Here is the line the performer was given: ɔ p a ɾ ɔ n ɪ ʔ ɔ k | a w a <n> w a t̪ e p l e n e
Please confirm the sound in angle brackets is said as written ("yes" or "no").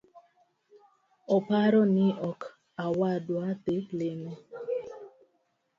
no